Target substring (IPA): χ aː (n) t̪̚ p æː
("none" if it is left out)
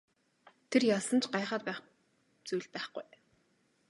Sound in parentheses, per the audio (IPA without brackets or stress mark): none